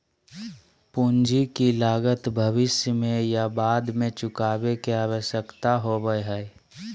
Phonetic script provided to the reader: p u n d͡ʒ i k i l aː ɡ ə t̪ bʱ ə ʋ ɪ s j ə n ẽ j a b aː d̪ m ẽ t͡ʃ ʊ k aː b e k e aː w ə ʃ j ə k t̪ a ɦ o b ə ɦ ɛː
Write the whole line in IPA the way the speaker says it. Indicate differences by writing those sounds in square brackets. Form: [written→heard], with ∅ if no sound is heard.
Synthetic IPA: p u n d͡ʒ i k i l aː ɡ ə t̪ bʱ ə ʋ ɪ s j ə [n→m] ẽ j a b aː d̪ m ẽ t͡ʃ ʊ k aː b e k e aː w ə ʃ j ə k t̪ a ɦ o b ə ɦ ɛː

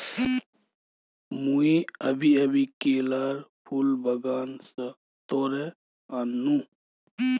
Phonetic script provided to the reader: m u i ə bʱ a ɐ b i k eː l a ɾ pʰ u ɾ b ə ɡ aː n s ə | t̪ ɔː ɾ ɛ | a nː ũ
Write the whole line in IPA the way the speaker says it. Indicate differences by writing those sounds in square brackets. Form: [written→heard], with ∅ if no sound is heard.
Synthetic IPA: m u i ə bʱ [a→i] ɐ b i k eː l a ɾ pʰ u [ɾ→l] b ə ɡ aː n s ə | t̪ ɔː ɾ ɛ | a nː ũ

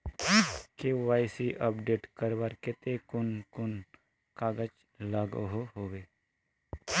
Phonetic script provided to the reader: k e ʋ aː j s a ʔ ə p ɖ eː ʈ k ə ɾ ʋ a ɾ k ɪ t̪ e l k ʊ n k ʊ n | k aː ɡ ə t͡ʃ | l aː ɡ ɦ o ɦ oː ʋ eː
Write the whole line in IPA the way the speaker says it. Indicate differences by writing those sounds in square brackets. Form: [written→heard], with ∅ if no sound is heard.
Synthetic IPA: k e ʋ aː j s [a→i] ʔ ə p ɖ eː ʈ k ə ɾ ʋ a ɾ k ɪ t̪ e [l→∅] k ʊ n k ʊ n | k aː ɡ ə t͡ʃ | l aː ɡ ɦ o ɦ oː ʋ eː

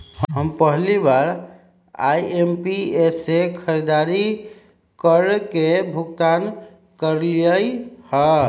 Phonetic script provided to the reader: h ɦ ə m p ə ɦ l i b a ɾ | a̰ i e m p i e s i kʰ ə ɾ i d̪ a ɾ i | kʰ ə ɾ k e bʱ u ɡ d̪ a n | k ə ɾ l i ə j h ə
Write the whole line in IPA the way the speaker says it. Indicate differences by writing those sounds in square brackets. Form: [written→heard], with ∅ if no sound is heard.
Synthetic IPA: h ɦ ə m p ə ɦ l i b a ɾ | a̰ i e m p i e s [i→e] kʰ ə ɾ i d̪ a ɾ i | [kʰ→k] ə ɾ k e bʱ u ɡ [d̪→t̪] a n | k ə ɾ l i ə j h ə

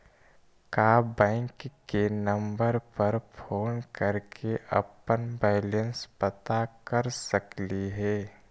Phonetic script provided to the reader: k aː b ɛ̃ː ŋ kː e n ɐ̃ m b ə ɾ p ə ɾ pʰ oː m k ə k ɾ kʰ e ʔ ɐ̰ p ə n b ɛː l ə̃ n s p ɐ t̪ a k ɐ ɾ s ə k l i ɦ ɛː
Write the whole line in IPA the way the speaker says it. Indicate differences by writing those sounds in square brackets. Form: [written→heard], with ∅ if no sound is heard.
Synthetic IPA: k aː b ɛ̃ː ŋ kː e n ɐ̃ m b ə ɾ p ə ɾ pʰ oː [m→n] k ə [k→∅] ɾ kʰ e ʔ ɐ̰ p ə n b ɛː l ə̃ n s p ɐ t̪ a k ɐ ɾ s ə k l i ɦ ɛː

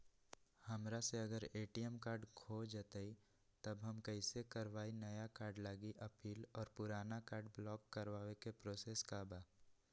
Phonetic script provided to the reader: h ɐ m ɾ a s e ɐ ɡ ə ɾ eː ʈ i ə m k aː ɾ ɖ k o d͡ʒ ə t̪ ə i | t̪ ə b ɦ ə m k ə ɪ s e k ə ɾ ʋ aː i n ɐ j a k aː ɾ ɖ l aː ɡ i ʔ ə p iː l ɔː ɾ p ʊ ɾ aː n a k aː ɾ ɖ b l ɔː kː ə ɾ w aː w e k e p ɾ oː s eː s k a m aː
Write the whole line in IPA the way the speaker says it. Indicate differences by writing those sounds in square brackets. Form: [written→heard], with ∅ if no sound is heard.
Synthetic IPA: h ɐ m ɾ a s e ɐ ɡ ə ɾ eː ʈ i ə m k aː ɾ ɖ [k→kʰ] o d͡ʒ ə t̪ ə i | t̪ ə b ɦ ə m k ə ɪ s e k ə ɾ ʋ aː i n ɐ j a k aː ɾ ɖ l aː ɡ i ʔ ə p iː l ɔː ɾ p ʊ ɾ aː n a k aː ɾ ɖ b l ɔː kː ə ɾ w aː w e k e p ɾ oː s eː s k a [m→b] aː

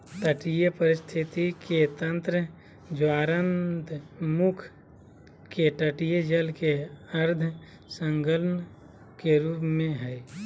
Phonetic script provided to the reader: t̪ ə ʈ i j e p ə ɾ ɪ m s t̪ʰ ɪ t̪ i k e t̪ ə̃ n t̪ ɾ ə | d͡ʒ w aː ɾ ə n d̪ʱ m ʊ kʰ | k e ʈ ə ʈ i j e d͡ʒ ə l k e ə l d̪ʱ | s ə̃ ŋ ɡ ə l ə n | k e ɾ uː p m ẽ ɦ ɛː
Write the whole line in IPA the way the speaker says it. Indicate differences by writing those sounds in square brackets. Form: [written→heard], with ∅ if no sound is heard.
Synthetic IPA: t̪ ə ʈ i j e p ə ɾ ɪ [m→∅] s t̪ʰ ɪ t̪ i k e t̪ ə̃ n t̪ ɾ ə | d͡ʒ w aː ɾ ə n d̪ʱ m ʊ kʰ | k e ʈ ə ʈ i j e d͡ʒ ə l k e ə [l→ɾ] d̪ʱ | s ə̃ ŋ ɡ ə l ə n | k e ɾ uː p m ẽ ɦ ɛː

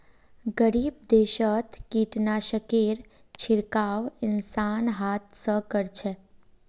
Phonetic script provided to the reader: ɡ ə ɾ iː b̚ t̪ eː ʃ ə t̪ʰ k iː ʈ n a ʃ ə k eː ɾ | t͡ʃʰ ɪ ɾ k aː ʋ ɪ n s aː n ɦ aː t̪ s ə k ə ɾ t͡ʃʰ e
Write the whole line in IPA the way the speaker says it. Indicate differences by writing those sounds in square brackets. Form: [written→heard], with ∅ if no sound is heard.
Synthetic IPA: ɡ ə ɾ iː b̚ [t̪→d̪] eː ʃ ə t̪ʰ k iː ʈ n a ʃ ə k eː ɾ | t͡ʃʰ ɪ ɾ k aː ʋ ɪ n s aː n ɦ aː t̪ s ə k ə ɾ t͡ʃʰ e

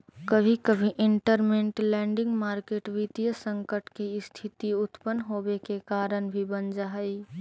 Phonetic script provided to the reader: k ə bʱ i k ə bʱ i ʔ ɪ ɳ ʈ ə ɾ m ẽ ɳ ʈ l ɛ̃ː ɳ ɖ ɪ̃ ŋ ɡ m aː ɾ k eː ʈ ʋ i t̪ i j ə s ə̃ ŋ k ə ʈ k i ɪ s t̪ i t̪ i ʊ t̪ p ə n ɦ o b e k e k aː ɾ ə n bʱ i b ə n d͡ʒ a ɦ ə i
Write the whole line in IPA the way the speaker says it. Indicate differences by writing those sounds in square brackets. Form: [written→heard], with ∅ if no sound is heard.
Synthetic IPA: k ə bʱ i k ə bʱ i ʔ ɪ ɳ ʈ ə ɾ m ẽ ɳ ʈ l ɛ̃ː ɳ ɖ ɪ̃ ŋ ɡ m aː ɾ k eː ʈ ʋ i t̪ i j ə s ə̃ ŋ k ə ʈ k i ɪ s [t̪→t̪ʰ] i t̪ i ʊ t̪ p ə n ɦ o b e k e k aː ɾ ə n bʱ i b ə n d͡ʒ a ɦ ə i

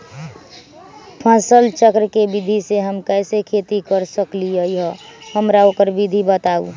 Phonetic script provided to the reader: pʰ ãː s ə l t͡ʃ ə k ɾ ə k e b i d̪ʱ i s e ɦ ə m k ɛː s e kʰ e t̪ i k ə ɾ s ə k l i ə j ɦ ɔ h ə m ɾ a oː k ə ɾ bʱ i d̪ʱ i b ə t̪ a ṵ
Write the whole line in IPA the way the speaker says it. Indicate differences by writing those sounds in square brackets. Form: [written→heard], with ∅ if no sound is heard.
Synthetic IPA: pʰ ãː s ə l t͡ʃ ə k ɾ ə k e b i d̪ʱ i s e ɦ ə m k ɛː s e kʰ e t̪ i k ə ɾ s ə k l i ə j ɦ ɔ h ə m ɾ a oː k ə ɾ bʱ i d̪ʱ i b ə t̪ a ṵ

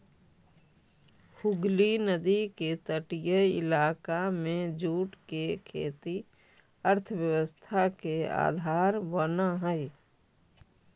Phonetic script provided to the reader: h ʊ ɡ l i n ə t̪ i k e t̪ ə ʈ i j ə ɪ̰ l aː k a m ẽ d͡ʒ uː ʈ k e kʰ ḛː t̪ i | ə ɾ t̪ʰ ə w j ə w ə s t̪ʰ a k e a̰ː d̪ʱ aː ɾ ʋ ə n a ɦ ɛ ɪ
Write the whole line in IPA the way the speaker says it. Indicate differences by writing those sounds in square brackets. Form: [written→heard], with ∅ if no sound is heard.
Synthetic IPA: h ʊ ɡ l i n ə [t̪→d̪] i k e t̪ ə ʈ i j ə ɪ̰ l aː k a m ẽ d͡ʒ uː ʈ k e kʰ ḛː t̪ i | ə ɾ t̪ʰ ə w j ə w ə s t̪ʰ a k e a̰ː d̪ʱ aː ɾ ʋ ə n a ɦ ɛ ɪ

